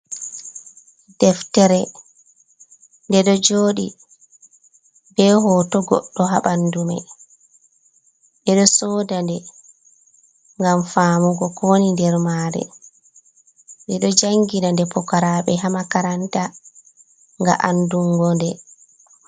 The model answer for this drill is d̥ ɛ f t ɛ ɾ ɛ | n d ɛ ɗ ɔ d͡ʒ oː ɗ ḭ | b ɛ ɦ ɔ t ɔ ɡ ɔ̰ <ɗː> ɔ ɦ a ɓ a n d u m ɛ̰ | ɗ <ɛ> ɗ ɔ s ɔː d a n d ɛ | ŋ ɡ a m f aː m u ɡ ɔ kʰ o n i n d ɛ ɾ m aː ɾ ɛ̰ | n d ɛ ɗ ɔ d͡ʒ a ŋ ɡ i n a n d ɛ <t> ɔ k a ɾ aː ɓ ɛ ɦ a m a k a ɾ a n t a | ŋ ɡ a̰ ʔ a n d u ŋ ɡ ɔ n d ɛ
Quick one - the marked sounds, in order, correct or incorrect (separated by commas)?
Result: correct, correct, incorrect